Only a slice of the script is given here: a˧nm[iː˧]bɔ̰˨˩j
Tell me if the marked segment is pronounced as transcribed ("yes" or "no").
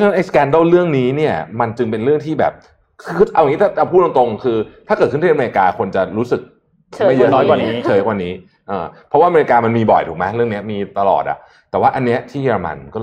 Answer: yes